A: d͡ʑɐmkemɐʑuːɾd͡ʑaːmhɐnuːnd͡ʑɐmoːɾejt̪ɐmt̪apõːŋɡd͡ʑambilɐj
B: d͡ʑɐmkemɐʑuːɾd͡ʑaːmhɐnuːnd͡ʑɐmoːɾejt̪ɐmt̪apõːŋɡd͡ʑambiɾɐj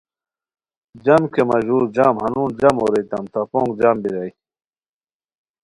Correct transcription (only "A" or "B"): B